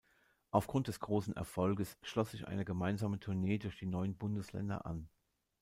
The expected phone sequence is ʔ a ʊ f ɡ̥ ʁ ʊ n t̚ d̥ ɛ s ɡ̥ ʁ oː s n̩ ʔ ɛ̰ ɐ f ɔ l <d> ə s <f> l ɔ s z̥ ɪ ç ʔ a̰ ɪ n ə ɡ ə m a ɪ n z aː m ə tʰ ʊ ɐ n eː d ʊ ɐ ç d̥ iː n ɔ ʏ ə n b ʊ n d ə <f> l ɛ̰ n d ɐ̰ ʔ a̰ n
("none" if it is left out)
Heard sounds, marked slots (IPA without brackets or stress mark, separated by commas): ɡ, ʃ, s